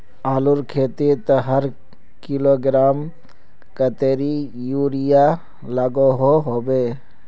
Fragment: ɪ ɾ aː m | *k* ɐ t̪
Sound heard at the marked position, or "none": k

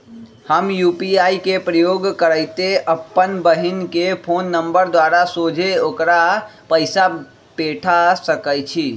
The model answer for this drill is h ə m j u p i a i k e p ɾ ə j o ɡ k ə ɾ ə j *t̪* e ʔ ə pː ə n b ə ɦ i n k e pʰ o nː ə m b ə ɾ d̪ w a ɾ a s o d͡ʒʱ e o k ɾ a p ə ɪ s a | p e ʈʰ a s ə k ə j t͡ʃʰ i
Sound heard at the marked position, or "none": t̪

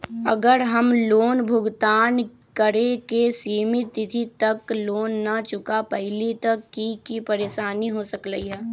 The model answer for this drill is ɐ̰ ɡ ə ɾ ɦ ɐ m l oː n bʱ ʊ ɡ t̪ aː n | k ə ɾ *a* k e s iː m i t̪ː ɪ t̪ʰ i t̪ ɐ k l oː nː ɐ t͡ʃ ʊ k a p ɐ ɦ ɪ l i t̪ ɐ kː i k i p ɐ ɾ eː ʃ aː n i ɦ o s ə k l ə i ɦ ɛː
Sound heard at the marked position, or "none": e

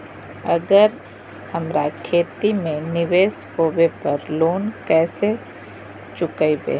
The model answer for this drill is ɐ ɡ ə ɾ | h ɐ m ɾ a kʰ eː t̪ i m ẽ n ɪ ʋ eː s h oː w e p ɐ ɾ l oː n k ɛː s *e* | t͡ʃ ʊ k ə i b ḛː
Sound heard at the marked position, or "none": e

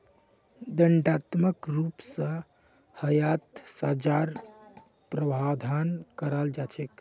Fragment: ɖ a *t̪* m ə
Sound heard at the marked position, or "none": t̪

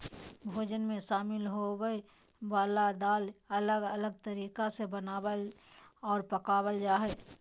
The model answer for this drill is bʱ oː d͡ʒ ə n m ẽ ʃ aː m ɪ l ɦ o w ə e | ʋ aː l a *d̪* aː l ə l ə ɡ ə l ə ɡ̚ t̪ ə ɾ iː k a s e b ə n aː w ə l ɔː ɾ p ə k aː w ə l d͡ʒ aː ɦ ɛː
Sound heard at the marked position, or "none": d̪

